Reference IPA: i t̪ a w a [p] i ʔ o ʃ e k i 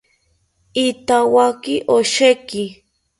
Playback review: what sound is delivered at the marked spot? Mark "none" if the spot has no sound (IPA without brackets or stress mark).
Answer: k